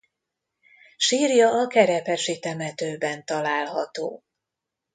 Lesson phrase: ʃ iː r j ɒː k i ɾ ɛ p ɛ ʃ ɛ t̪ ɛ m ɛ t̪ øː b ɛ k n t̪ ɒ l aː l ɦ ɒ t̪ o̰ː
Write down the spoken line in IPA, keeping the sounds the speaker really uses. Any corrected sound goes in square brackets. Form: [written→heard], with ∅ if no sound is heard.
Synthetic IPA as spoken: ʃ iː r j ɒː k [i→ɛ] ɾ ɛ p ɛ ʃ [ɛ→i] t̪ ɛ m ɛ t̪ øː b ɛ [k→∅] n t̪ ɒ l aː l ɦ ɒ t̪ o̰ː